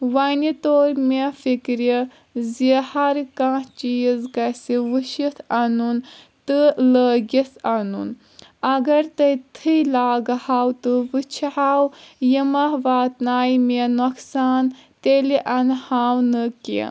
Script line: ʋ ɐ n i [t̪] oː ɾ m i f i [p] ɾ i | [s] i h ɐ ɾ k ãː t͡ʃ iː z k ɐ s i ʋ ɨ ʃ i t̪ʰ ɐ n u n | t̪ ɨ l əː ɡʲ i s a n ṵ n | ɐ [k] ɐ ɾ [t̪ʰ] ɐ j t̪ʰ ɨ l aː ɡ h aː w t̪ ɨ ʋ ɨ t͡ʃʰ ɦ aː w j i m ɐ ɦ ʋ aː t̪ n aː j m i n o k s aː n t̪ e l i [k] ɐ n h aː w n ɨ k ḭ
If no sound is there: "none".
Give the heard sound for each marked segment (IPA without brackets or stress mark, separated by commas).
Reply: t̪, k, z, ɡ, t̪, ʔ